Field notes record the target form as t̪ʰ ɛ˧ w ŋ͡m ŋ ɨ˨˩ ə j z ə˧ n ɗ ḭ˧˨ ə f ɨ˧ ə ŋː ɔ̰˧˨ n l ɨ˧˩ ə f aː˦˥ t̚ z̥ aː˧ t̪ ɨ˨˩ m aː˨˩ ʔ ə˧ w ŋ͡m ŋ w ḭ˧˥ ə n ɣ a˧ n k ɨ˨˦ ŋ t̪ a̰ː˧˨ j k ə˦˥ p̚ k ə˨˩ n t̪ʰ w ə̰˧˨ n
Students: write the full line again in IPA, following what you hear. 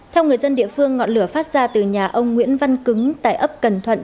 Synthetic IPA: t̪ʰ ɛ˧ w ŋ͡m ŋ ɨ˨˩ ə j z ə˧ n ɗ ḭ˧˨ ə f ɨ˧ ə ŋː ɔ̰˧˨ n l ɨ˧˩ ə f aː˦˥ t̚ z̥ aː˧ t̪ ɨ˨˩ ɲ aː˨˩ ʔ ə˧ w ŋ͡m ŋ w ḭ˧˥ ə n v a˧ n k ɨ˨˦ ŋ t̪ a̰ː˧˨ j ʔ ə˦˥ p̚ k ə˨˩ n t̪ʰ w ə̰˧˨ n

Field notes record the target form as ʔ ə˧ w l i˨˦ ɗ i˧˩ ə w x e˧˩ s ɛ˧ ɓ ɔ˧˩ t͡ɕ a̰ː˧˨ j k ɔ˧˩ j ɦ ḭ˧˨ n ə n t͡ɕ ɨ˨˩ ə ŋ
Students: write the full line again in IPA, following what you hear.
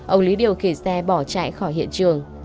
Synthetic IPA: ʔ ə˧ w l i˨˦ ɗ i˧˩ ə w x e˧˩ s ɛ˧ ɓ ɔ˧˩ t͡ɕ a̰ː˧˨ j x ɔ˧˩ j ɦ ḭ˧˨ ə n t͡ɕ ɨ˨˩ ə ŋ

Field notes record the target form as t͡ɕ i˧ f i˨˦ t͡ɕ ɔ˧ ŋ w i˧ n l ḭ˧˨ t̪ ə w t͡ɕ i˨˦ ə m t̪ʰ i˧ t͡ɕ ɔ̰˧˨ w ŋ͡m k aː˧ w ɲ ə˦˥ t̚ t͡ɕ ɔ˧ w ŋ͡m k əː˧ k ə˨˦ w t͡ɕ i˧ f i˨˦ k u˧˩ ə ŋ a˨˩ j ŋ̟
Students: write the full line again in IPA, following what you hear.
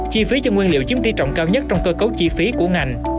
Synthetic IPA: t͡ɕ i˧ f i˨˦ t͡ɕ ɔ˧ ŋ w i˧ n l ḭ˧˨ ə w t͡ɕ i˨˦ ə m t̪ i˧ t͡ɕ ɔ̰˧˨ w ŋ͡m k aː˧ w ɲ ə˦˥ t̚ t͡ɕ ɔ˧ w ŋ͡m k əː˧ k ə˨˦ w t͡ɕ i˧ f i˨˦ k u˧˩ ə ŋ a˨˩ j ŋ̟

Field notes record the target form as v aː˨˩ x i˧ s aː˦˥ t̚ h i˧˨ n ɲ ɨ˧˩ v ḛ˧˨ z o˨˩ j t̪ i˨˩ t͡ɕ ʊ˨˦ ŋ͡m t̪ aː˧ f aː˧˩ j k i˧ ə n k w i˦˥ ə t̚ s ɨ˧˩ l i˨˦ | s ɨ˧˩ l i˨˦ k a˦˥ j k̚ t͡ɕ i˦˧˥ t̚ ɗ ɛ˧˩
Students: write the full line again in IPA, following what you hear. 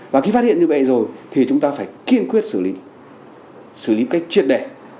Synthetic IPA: v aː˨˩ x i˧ f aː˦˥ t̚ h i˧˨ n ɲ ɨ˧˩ v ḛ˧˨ z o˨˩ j t̪ʰ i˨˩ t͡ɕ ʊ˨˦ ŋ͡m t̪ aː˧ f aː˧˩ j k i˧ ə n k w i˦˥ ə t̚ s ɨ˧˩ l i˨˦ | s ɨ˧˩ l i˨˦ k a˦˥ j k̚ t͡ɕ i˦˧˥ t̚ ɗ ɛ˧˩

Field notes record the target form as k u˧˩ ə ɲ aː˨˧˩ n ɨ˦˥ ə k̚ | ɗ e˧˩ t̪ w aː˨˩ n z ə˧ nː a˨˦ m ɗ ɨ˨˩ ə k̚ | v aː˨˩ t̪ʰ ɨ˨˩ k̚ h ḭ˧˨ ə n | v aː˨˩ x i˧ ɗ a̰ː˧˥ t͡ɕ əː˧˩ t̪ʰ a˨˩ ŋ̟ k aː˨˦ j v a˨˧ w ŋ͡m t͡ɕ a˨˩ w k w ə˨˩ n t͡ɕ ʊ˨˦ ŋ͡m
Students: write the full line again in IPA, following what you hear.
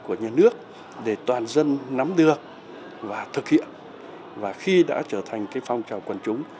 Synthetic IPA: k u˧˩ ə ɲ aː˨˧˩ n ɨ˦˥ ə k̚ | ɗ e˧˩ t̪ w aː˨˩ n z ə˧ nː a˨˦ m ɗ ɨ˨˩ ə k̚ | v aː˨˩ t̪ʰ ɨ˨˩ k̚ h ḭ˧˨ ə n | v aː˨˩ x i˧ ɗ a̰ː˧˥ t͡ɕ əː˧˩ t̪ʰ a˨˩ ŋ̟ k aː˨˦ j f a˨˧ w ŋ͡m t͡ɕ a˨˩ w k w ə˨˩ n t͡ɕ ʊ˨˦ ŋ͡m

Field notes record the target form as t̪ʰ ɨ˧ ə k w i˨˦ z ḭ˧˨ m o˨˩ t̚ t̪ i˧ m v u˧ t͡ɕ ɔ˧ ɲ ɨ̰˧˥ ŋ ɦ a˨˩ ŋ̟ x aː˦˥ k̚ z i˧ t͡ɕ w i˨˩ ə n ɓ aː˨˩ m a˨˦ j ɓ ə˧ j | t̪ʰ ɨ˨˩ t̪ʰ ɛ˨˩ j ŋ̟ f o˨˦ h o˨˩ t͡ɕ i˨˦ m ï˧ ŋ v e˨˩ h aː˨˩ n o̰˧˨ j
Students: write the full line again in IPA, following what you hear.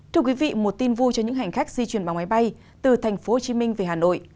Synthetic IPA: t̪ʰ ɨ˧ ə k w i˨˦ v ḭ˧˨ m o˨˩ t̚ t̪ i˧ n v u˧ t͡ɕ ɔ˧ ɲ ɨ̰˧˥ ŋ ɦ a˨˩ ŋ̟ x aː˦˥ k̚ z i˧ t͡ɕ w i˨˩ ə n ɓ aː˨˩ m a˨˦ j ɓ a˧ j | t̪ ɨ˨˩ t̪ʰ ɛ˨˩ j ŋ̟ f o˨˦ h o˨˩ t͡ɕ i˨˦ m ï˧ ŋ v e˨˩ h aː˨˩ n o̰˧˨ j

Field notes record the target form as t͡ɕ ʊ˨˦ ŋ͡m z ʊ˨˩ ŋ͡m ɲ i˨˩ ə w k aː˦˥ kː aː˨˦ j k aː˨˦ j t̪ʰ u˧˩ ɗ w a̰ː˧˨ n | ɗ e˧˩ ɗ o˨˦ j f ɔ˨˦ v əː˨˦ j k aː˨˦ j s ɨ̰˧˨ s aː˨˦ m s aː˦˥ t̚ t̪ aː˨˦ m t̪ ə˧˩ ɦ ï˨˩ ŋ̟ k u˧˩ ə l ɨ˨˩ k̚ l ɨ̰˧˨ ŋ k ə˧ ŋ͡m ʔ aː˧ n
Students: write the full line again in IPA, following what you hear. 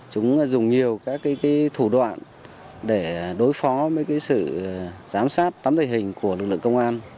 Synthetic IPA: t͡ɕ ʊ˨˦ ŋ͡m z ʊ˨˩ ŋ͡m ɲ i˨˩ ə w k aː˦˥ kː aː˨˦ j k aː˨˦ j t̪ʰ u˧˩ ɗ w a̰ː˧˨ n | ɗ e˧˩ ɗ o˨˦ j f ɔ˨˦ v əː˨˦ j k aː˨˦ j s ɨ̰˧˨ z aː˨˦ m s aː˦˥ t̚ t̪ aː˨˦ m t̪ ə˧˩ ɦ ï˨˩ ŋ̟ k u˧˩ ə l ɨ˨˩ k̚ l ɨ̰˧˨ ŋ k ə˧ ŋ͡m ʔ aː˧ n

